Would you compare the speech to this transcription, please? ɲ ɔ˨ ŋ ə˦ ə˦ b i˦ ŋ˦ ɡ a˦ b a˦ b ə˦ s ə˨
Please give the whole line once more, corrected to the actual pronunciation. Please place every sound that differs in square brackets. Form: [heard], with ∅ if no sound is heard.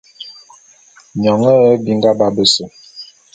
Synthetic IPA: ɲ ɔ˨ ŋ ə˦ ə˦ b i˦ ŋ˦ ɡ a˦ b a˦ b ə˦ s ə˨